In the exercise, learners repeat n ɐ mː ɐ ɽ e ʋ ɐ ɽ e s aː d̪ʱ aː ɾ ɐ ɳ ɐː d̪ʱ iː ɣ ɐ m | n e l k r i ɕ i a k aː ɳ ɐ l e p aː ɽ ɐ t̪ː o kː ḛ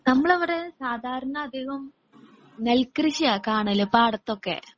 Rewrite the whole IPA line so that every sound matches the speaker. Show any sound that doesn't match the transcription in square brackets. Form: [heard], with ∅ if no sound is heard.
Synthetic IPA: n ɐ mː ɐ [ɭ] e ʋ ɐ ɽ e s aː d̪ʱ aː ɾ ɐ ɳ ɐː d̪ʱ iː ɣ ɐ m | n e l k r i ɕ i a k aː ɳ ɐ l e p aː ɽ ɐ t̪ː o kː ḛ